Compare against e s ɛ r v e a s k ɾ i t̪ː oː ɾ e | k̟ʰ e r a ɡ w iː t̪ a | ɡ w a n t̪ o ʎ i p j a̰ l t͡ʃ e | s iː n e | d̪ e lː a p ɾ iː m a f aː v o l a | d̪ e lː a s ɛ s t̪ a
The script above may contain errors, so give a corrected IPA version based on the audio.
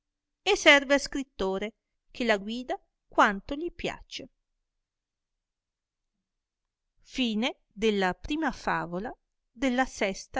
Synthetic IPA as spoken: e s ɛ r v e a s k ɾ i t̪ː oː ɾ e | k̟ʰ e l a ɡ w iː d̪ a | k w a n t̪ o ʎ i p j a̰ t͡ʃ e | f iː n e | d̪ e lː a p ɾ iː m a f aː v o l a | d̪ e lː a s ɛ s t̪ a